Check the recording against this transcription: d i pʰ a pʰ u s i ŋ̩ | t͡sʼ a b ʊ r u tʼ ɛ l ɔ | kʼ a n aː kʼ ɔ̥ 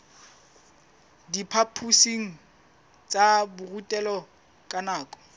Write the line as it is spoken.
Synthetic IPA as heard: d i pʰ a pʰ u s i ŋ̩ | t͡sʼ a b ʊ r u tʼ ɛ l ɔ | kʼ a n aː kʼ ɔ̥